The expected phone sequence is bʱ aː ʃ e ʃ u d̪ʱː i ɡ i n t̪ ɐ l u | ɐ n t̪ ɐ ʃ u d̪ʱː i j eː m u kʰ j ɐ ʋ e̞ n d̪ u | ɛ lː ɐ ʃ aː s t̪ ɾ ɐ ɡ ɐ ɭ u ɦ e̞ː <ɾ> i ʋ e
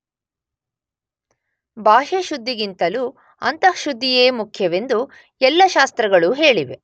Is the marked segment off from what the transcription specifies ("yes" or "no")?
yes